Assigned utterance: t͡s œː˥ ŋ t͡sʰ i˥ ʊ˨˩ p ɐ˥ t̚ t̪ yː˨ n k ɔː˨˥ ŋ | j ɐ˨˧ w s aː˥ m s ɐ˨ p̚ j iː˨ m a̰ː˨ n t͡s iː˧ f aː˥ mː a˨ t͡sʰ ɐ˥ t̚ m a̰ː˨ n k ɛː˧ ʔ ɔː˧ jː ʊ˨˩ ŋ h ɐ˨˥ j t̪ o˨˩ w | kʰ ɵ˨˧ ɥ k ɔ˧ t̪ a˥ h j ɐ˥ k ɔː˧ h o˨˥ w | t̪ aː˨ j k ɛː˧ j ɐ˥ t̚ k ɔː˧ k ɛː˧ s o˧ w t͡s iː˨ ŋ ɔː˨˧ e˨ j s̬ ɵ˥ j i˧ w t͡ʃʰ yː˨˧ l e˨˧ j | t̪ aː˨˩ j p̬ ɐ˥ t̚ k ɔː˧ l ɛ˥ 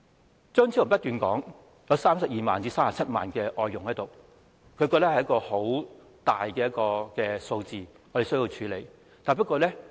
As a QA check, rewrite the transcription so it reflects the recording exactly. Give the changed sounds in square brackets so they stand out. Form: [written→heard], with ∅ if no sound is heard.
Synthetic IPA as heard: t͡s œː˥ ŋ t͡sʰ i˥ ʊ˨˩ p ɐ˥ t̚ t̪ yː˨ n k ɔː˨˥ ŋ | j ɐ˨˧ w s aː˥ m s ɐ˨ p̚ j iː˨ m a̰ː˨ n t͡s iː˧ [f→s] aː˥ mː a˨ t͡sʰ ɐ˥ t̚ m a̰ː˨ n k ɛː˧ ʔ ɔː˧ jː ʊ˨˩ ŋ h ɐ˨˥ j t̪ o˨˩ w | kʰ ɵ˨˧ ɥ k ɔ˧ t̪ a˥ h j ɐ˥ k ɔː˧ h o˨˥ w | t̪ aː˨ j k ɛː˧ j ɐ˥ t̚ k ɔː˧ k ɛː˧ s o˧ w t͡s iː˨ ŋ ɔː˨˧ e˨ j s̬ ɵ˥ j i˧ w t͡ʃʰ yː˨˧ l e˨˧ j | t̪ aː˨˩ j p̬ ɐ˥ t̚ k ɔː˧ l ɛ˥